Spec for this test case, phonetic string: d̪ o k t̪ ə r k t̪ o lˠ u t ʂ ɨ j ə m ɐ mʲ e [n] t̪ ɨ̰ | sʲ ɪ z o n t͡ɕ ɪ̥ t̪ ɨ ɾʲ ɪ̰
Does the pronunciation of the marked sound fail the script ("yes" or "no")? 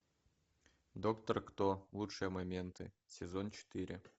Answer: no